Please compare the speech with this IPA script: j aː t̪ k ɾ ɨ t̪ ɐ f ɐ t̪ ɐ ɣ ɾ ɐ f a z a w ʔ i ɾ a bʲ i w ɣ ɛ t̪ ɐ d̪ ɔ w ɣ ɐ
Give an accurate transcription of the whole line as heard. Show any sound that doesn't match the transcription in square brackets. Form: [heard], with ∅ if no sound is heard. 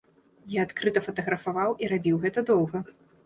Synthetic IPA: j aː t̪ k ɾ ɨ t̪ ɐ f ɐ t̪ ɐ ɣ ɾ ɐ f a [v] a w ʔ i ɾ a bʲ i w ɣ ɛ t̪ ɐ d̪ ɔ w ɣ ɐ